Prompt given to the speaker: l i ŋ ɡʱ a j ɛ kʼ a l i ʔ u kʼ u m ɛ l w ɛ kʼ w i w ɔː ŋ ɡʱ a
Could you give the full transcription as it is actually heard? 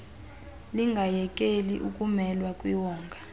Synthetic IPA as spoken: l i ŋ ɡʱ a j ɛ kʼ e l i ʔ u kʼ u m ɛ l w a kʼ w i w ɔː ŋ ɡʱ a